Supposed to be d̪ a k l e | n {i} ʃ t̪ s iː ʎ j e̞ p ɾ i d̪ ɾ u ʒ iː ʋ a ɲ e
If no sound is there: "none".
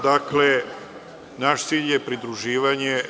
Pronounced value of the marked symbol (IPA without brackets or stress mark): a